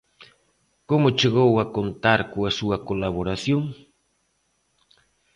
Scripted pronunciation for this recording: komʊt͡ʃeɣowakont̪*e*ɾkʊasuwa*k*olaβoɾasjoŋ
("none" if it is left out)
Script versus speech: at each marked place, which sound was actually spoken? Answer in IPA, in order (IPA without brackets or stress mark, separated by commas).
a, k